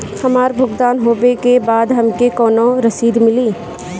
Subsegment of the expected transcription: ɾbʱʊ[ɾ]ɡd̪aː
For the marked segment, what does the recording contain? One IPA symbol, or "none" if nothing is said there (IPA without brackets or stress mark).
none